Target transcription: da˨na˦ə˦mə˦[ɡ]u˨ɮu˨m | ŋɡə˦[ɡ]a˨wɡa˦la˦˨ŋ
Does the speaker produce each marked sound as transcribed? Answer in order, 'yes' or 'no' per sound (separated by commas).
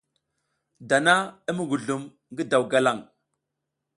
yes, no